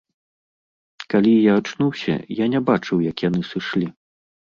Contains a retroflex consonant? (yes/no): yes